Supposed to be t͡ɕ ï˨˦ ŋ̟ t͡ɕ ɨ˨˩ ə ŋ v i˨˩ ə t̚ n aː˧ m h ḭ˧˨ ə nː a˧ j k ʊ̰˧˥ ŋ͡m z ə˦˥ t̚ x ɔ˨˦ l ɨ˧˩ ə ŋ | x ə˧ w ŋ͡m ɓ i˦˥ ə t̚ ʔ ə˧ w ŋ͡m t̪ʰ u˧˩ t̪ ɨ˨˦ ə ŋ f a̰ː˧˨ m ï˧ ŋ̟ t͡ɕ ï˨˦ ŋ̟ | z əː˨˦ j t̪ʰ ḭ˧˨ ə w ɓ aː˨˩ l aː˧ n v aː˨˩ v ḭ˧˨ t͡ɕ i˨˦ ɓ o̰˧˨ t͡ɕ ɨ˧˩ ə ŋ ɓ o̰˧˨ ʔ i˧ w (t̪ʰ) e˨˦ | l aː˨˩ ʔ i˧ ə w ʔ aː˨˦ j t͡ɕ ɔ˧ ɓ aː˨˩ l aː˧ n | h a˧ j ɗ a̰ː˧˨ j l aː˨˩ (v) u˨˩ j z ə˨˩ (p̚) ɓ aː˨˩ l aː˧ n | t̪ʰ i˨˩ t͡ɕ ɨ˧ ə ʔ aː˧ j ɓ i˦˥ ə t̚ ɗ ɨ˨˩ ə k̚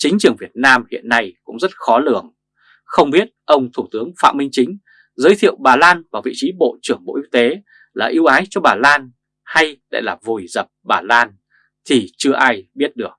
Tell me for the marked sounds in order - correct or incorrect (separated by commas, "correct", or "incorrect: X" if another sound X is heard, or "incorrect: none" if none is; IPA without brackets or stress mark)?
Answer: incorrect: t̪, correct, correct